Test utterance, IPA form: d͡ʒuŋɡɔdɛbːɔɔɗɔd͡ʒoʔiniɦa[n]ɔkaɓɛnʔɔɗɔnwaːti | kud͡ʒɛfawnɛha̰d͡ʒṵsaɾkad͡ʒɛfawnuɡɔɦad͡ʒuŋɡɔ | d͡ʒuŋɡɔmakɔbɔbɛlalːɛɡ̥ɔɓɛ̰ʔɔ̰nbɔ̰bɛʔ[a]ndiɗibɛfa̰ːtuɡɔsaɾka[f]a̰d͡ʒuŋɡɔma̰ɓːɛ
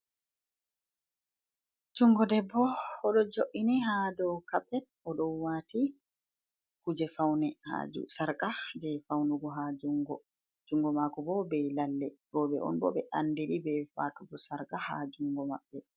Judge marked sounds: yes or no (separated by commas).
no, yes, no